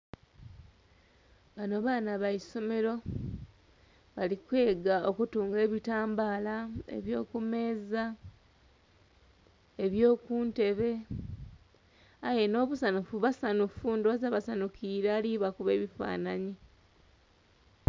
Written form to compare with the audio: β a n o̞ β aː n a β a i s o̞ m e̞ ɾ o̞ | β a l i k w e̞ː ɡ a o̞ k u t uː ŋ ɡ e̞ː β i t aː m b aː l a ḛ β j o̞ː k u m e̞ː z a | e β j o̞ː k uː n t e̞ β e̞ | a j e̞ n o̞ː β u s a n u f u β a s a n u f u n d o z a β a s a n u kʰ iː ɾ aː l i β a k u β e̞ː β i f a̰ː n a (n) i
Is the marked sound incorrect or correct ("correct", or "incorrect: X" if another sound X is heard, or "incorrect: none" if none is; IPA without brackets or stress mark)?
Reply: incorrect: ɲ